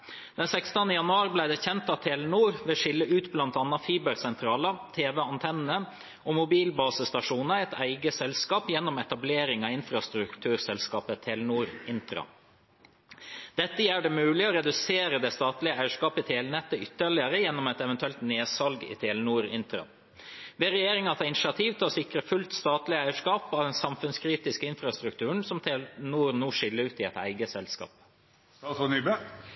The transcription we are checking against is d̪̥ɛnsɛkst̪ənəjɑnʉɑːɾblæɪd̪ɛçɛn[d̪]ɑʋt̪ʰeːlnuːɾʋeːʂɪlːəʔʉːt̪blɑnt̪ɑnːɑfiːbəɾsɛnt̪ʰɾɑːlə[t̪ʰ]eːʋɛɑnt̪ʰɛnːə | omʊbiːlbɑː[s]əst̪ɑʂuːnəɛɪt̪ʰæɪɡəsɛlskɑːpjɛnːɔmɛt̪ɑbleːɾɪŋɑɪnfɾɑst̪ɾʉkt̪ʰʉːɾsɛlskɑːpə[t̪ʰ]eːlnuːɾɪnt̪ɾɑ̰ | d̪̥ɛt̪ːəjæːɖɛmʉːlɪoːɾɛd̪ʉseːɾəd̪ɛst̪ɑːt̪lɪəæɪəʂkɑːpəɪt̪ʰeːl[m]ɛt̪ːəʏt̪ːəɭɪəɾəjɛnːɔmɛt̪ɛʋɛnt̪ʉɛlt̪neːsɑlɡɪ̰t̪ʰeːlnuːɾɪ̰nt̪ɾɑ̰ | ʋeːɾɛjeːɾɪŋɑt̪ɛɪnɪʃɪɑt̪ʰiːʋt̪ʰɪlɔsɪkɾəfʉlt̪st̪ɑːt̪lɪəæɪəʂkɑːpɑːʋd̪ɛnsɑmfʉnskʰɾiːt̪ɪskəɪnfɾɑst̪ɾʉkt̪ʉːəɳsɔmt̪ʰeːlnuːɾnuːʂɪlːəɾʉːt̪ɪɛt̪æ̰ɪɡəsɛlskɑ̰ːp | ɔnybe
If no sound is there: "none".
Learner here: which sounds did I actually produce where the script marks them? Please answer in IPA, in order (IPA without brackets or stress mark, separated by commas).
t̪, t̪ʰ, s, t̪ʰ, n